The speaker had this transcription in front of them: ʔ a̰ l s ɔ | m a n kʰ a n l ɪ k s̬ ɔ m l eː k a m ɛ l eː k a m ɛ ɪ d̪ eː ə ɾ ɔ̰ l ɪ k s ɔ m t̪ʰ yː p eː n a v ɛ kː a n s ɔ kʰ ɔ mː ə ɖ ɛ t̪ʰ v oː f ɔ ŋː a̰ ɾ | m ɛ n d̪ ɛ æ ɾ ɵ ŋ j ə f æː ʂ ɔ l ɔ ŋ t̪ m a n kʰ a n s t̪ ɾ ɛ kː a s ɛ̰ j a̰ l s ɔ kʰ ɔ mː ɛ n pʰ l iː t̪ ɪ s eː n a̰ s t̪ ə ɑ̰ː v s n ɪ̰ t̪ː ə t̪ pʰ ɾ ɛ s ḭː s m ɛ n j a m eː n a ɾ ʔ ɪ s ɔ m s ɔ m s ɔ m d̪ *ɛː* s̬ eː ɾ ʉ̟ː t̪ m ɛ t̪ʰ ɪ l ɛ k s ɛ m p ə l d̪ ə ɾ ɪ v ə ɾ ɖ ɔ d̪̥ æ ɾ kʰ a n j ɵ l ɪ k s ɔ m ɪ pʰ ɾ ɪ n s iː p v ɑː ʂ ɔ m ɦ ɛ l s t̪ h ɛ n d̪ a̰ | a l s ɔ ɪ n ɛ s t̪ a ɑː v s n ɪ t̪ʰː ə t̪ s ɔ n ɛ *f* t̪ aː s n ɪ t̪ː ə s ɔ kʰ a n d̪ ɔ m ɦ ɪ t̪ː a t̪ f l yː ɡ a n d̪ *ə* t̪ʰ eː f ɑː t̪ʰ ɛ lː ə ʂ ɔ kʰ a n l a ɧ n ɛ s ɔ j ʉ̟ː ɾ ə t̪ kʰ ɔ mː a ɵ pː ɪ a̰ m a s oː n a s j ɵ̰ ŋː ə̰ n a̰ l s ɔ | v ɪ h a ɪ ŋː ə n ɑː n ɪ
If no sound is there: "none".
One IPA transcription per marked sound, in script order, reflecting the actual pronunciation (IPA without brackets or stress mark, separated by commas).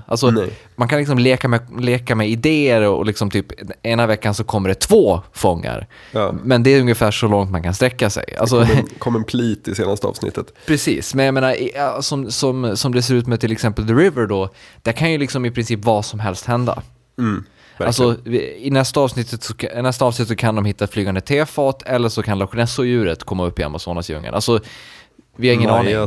ɛ, s, ə